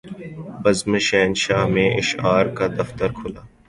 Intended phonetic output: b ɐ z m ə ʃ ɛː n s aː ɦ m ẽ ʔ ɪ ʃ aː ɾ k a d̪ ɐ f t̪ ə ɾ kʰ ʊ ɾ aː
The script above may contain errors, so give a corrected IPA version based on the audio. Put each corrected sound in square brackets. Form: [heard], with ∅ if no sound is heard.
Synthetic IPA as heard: b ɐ z m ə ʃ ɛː n [ʃ] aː ɦ m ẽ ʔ ɪ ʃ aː ɾ k a d̪ ɐ f t̪ ə ɾ kʰ ʊ [l] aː